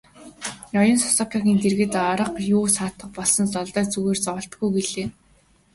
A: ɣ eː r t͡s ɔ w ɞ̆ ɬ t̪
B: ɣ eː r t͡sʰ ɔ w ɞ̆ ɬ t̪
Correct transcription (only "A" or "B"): A